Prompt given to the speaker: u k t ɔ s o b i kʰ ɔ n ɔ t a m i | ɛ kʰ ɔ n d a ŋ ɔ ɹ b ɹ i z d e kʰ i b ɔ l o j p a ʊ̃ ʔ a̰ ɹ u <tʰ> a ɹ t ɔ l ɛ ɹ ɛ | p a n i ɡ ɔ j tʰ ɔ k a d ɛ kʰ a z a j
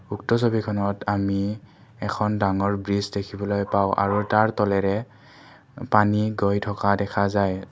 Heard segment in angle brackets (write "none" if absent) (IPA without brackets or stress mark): t